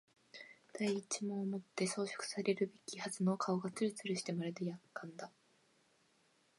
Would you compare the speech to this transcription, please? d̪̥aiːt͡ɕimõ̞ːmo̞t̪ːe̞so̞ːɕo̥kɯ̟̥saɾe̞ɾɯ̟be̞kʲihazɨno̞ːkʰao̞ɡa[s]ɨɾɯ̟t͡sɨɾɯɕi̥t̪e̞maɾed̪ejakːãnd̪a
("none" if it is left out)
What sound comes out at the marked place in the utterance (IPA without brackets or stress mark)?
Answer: t͡s